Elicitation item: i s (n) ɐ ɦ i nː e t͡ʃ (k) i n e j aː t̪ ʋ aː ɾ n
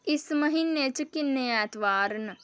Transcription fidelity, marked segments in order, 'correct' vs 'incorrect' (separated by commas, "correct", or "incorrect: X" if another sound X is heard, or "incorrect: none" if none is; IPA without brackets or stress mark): incorrect: m, correct